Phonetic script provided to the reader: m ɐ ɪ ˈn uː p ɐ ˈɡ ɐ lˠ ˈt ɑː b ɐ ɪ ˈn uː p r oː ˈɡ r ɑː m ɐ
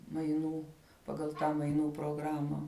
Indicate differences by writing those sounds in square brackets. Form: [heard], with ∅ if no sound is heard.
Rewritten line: m ɐ ɪ ˈn uː p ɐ ˈɡ ɐ lˠ ˈt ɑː [m] ɐ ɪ ˈn uː p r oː ˈɡ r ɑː m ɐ